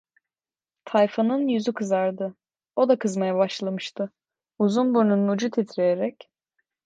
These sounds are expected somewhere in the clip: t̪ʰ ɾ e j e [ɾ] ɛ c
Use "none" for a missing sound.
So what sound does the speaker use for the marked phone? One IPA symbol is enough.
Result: ɾ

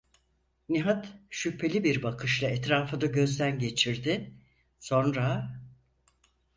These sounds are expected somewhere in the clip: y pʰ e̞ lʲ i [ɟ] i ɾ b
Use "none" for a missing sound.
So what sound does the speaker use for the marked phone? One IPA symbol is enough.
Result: b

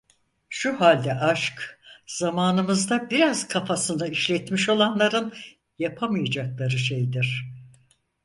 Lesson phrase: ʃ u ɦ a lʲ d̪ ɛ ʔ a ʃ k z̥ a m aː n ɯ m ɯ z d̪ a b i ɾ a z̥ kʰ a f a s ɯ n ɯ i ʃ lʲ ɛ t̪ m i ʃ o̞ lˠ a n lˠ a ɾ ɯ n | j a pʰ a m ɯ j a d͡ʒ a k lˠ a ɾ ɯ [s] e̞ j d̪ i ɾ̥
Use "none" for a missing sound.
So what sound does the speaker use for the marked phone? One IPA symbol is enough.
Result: ʃ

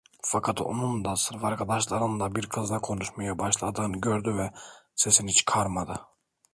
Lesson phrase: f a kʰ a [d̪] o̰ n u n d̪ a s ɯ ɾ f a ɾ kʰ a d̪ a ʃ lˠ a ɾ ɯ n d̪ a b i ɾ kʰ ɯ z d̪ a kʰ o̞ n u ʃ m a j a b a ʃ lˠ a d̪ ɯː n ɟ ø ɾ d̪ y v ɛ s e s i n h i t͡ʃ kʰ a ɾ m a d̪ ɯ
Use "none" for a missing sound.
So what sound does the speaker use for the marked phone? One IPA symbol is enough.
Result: t̪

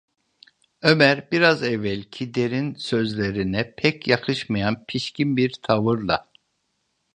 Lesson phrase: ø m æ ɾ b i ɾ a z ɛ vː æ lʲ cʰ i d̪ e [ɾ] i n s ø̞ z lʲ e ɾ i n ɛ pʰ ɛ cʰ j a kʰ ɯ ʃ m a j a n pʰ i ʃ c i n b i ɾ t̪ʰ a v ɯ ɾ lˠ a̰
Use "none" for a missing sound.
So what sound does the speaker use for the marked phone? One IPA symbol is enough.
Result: ɾ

